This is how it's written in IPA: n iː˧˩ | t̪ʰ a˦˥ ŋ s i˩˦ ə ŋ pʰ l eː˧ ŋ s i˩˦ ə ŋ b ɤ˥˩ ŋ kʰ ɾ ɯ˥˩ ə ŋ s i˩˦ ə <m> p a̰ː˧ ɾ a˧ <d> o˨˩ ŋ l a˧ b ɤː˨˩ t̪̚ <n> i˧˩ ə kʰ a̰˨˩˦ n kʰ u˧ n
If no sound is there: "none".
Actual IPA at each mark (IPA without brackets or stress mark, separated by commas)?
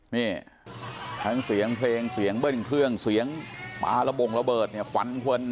ŋ, b, n